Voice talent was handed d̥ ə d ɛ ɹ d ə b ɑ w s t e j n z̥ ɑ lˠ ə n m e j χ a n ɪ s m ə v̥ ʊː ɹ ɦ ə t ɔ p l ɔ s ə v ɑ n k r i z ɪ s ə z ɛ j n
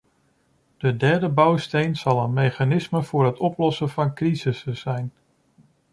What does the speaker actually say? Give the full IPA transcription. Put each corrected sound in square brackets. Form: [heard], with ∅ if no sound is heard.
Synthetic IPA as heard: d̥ ə d ɛ ɹ d ə b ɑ w s t e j n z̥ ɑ lˠ ə n m e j χ a n ɪ s m ə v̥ ʊː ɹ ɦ ə t ɔ p l ɔ s ə v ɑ n k r i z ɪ s ə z ɛ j n